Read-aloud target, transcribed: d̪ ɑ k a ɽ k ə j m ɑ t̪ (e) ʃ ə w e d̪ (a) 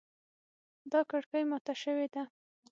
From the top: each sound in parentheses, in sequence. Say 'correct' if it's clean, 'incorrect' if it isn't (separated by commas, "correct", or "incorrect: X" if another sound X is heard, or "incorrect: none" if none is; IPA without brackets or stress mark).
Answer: incorrect: a, correct